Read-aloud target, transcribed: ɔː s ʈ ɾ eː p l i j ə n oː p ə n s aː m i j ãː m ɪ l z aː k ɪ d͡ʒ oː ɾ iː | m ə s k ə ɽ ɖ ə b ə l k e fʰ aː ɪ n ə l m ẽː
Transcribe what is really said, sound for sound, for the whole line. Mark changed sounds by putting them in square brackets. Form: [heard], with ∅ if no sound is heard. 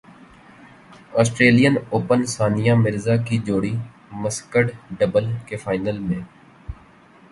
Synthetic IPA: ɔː s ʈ ɾ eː [∅] l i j ə n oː p ə n s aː [n] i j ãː m ɪ [ɾ] z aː k [i] d͡ʒ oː [ɽ] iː | m ə s k ə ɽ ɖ ə b ə l k e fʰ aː ɪ n ə l m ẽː